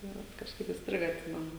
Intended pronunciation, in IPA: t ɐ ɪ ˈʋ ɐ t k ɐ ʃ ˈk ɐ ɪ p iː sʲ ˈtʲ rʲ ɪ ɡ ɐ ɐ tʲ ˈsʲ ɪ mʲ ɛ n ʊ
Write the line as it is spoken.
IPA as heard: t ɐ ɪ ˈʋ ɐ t k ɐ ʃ ˈk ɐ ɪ p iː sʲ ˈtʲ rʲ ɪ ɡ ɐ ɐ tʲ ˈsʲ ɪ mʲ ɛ n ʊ

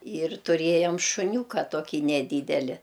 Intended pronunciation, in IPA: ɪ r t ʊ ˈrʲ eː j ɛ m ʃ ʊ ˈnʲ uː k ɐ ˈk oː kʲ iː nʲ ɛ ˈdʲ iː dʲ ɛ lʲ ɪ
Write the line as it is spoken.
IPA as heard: ɪ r t ʊ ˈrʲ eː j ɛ m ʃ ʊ ˈnʲ uː k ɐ ˈt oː kʲ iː nʲ ɛ ˈdʲ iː dʲ ɛ lʲ ɪ

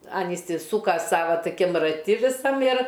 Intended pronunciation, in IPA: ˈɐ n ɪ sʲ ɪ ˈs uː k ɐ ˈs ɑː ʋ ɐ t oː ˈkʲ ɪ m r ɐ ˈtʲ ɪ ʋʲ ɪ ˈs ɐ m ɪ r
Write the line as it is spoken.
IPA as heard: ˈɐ n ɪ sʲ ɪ ˈs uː k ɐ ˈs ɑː ʋ ɐ t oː ˈkʲ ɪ m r ɐ ˈtʲ ɪ ʋʲ ɪ ˈs ɐ m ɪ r

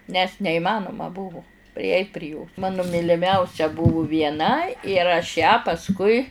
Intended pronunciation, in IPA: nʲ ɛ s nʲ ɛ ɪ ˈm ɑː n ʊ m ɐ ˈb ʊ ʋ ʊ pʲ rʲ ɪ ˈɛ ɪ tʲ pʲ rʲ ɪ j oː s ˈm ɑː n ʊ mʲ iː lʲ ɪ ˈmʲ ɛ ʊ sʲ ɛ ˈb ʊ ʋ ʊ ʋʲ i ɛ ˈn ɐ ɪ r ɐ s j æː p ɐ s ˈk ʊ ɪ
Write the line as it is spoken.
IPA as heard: nʲ ɛ s nʲ ɛ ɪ ˈm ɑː n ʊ m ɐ ˈb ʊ ʋ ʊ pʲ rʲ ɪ ˈɛ ɪ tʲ pʲ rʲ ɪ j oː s ˈm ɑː n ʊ mʲ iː lʲ ɪ ˈmʲ ɛ ʊ sʲ ɛ ˈb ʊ ʋ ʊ ʋʲ i ɛ ˈn ɐ ɪ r ɐ ʃ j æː p ɐ s ˈk ʊ ɪ

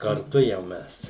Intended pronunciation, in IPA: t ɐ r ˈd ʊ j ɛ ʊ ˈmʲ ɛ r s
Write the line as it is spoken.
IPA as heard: k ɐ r ˈt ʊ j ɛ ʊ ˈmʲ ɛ s

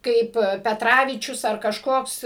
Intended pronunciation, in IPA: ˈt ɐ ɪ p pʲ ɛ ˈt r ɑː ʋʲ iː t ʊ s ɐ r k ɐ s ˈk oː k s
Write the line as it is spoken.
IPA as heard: ˈk ɐ ɪ p pʲ ɛ ˈt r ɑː ʋʲ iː t͡ʃʲ ʊ s ɐ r k ɐ ʃ ˈk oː k s

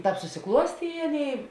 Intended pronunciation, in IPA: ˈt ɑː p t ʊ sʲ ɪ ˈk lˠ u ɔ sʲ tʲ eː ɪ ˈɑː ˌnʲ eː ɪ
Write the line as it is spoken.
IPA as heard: ˈt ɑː p s ʊ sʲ ɪ ˈk lˠ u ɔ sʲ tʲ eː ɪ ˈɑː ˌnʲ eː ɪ

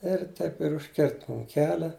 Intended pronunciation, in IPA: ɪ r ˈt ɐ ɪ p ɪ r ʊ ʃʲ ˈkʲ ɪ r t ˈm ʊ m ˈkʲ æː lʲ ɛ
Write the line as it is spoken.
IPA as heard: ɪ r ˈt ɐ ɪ p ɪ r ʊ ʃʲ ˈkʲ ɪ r t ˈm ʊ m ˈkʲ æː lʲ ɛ

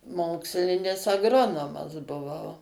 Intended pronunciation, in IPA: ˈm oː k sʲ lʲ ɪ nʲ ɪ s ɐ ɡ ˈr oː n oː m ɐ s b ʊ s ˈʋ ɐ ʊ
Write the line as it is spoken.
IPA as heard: ˈm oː k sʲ lʲ ɪ nʲ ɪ s ɐ ɡ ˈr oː n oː m ɐ s b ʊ ˈʋ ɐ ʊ

